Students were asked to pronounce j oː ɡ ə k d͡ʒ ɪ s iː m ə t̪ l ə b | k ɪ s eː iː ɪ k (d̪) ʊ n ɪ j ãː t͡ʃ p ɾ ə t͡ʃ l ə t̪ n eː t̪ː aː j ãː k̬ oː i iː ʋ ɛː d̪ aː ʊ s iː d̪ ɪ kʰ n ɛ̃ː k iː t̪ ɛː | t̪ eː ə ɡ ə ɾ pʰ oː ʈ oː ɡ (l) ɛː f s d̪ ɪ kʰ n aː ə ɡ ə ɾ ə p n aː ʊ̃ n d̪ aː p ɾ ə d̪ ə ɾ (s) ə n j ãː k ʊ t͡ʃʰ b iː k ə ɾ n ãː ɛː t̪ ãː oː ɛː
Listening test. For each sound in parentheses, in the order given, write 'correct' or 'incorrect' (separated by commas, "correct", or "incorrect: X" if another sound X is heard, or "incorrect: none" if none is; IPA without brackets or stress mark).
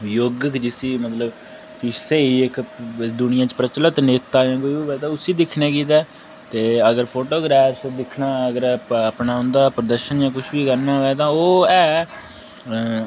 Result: correct, incorrect: ɾ, incorrect: ʃ